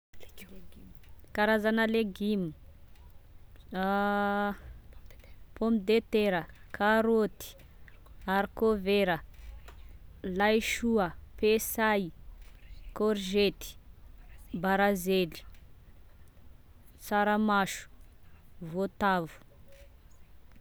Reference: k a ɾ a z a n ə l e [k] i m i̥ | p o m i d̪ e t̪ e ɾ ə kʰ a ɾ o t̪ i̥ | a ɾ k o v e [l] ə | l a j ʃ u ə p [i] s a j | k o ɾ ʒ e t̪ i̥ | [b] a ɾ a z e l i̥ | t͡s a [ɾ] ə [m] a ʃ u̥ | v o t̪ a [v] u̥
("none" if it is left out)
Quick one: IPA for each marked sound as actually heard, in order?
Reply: ɡ, ɾ, e, b, ɾ, m, v

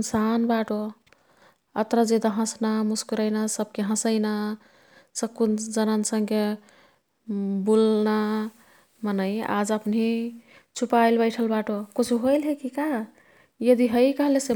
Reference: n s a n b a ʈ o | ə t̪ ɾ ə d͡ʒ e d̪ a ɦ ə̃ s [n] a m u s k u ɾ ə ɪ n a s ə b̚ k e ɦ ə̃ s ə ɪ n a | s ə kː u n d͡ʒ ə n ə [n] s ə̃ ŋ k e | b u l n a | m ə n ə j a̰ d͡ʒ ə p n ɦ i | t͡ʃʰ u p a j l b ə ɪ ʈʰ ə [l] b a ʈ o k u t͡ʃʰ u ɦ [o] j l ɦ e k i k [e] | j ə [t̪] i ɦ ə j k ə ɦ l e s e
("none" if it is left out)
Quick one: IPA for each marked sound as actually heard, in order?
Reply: n, n, l, o, a, d̪

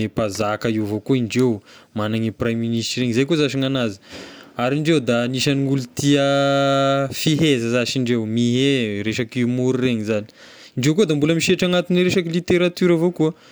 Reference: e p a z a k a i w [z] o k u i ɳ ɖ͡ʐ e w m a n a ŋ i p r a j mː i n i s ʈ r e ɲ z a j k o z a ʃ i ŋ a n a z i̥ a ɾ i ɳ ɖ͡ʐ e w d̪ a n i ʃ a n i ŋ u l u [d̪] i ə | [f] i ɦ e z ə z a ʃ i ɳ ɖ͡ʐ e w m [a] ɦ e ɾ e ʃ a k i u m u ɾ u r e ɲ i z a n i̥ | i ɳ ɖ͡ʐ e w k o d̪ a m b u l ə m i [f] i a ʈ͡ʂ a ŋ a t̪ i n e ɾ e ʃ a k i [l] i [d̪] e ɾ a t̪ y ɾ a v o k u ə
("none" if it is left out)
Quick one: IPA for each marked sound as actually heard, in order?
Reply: v, t̪, f, i, ʃ, l, t̪

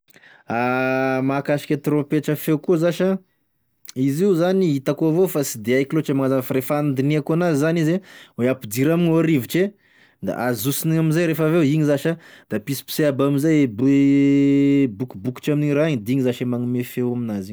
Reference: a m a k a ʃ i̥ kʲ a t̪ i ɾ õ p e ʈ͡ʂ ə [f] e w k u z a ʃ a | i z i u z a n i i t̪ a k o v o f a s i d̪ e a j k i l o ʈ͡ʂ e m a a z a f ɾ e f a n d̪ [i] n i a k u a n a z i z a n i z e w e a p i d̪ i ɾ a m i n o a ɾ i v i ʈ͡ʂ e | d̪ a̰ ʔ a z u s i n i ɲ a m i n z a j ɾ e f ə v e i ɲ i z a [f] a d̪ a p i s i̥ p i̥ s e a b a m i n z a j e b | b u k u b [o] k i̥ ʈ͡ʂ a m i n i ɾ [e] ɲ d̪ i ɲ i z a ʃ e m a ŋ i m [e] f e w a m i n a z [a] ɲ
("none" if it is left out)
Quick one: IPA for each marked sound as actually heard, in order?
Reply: f, i, ʃ, u, a, e, i

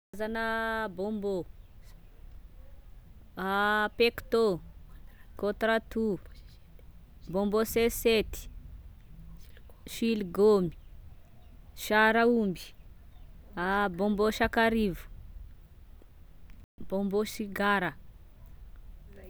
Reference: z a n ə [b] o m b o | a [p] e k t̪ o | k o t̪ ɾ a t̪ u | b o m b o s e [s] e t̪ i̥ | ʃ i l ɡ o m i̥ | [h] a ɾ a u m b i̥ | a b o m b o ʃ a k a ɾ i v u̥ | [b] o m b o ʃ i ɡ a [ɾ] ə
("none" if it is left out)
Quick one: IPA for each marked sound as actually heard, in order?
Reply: b, p, s, ʃ, b, ɾ

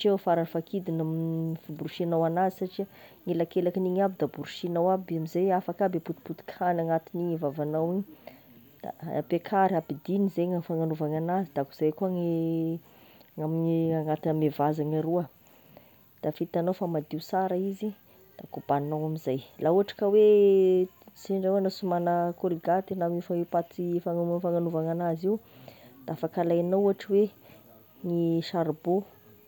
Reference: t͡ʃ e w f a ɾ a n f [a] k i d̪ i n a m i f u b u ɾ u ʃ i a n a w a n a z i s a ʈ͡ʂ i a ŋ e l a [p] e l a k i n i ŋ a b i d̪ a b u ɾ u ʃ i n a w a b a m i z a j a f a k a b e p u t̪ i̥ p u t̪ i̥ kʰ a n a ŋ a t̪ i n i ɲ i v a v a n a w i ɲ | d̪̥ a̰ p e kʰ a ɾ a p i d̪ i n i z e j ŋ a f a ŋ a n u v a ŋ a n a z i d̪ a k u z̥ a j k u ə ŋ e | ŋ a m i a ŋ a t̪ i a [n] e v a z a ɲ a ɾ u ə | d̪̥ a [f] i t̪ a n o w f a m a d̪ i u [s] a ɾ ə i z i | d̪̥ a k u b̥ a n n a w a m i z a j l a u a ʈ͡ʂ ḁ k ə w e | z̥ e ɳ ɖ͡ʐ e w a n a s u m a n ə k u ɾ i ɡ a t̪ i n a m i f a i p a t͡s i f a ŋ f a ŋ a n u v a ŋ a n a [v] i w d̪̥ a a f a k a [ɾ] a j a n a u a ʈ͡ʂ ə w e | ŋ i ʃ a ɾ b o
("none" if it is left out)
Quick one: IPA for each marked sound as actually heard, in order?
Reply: a, k, m, f, s, z, l

